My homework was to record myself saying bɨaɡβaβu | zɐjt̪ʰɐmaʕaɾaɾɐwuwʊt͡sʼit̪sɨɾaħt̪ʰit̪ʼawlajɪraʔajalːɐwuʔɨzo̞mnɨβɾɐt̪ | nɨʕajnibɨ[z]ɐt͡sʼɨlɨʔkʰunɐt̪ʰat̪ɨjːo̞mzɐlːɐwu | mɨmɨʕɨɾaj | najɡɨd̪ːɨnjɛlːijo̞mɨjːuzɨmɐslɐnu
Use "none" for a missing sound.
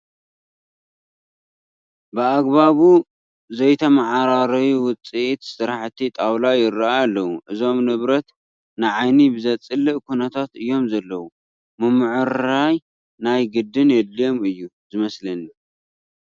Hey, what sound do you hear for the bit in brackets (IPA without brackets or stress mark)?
z